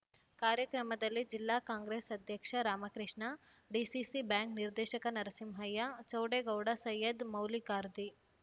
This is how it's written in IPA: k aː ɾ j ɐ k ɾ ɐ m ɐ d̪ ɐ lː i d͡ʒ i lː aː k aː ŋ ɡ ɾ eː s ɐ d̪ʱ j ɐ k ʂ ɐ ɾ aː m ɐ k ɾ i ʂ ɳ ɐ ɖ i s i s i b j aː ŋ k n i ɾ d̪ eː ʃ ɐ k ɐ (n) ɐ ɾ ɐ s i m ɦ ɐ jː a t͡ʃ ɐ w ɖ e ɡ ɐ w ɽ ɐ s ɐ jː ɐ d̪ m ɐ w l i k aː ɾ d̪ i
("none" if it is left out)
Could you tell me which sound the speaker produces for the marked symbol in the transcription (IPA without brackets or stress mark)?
n